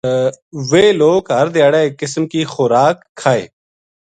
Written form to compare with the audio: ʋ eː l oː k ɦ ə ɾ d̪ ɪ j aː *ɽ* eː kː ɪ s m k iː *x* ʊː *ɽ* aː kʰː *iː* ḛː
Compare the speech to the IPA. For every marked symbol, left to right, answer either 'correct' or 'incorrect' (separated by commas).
correct, correct, incorrect, incorrect